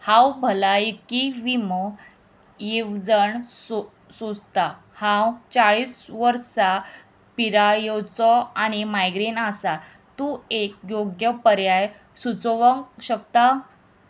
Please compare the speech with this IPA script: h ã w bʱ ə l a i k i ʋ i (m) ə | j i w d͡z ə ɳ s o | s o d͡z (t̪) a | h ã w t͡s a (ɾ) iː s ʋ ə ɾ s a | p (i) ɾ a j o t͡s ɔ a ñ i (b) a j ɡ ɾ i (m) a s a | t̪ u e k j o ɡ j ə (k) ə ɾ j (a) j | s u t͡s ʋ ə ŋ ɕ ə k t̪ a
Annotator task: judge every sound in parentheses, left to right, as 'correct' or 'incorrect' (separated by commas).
correct, correct, incorrect, correct, incorrect, incorrect, incorrect, correct